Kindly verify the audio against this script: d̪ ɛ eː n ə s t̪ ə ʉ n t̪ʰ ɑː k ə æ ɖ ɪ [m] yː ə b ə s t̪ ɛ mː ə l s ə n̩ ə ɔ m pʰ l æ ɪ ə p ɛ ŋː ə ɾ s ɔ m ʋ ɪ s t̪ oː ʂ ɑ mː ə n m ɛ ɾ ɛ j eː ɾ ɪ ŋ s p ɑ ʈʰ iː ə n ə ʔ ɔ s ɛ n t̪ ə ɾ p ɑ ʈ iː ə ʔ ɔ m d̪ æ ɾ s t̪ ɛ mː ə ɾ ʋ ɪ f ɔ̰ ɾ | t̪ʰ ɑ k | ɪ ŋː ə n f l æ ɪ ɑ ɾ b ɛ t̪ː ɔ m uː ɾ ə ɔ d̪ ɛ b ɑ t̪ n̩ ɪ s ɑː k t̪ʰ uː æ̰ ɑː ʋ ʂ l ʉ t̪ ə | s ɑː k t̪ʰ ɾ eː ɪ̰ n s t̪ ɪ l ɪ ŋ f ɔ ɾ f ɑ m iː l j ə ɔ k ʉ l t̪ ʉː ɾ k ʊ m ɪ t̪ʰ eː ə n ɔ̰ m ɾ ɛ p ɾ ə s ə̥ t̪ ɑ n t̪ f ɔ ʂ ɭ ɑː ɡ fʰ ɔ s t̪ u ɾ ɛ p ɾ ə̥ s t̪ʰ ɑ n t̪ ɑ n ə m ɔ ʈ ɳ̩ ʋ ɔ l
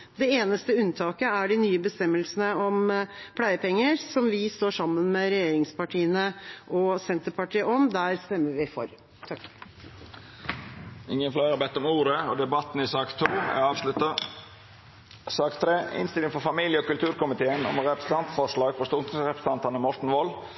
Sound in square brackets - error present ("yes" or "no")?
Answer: yes